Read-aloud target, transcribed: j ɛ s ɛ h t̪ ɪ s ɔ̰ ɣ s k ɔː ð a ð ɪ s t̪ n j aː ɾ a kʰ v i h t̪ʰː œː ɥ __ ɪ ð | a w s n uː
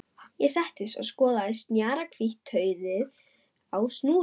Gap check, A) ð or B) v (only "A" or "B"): A